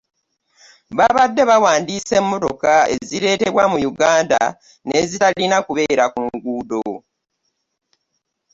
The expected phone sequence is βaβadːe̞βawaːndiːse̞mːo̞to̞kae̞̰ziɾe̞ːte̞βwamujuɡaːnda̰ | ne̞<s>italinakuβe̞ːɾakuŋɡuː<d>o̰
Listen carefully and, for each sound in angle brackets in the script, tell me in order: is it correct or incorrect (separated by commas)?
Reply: incorrect, correct